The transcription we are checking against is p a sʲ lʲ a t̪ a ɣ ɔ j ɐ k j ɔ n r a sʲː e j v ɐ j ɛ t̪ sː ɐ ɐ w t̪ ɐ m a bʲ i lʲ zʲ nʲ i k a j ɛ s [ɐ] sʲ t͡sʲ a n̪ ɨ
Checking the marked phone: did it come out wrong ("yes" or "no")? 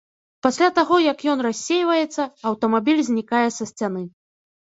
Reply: no